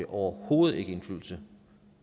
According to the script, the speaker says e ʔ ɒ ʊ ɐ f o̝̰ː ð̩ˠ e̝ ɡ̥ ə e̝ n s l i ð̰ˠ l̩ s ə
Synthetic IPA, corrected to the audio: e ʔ ɒ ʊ ɐ h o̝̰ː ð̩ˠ e̝ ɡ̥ ə e̝ n f l y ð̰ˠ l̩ s ə